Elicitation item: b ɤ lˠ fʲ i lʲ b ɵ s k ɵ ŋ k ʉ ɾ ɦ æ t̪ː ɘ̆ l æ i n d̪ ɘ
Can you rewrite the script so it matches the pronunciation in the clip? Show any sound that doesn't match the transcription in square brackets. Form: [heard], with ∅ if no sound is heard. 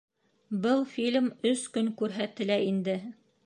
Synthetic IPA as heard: b ɤ lˠ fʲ i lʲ [m] ɵ s k ɵ ŋ k ʉ ɾ ɦ æ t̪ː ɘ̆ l æ i n d̪ ɘ